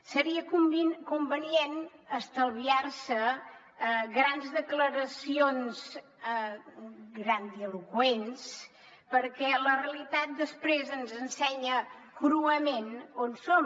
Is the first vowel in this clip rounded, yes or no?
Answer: no